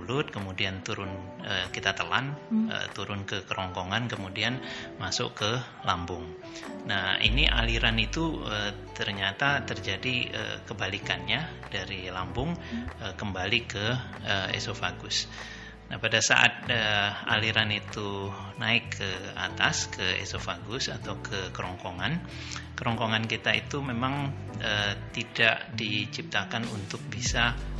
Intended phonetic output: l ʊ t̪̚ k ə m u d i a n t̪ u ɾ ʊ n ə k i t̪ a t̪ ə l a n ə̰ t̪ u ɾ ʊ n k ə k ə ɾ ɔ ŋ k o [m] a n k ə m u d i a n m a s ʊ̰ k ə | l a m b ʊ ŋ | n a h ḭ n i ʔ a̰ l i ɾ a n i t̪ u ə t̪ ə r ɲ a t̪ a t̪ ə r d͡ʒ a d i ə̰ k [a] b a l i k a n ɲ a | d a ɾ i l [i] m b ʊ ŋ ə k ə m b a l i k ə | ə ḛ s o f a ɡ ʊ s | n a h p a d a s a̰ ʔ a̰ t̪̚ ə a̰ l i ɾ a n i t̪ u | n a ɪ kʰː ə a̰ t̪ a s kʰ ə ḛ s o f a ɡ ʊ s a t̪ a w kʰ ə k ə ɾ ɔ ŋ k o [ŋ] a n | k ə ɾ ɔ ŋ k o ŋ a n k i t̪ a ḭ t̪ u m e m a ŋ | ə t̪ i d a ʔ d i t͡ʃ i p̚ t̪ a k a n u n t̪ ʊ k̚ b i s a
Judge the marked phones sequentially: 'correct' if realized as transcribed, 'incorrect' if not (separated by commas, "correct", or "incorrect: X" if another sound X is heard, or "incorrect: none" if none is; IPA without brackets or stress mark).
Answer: incorrect: ŋ, incorrect: ə, incorrect: a, correct